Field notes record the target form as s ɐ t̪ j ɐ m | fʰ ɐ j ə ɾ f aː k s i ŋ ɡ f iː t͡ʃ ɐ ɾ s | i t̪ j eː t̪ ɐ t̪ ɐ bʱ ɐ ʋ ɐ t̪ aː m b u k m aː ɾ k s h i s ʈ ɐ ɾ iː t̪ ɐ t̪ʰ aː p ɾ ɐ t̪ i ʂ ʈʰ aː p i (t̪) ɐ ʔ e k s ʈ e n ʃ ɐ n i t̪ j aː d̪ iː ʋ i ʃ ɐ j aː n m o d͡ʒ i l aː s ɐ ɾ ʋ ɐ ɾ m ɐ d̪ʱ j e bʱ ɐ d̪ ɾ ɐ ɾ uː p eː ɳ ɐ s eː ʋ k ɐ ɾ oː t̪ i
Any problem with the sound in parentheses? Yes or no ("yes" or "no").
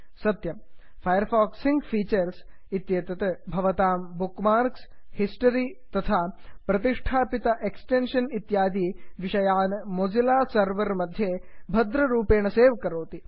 no